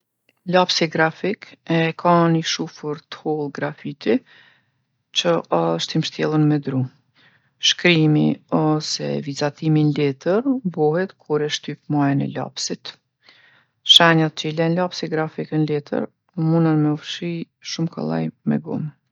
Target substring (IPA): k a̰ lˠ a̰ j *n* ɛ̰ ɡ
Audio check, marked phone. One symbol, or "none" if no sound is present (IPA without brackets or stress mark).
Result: m